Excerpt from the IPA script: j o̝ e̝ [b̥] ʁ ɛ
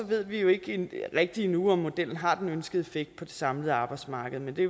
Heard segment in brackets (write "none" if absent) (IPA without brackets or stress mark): ɡ̥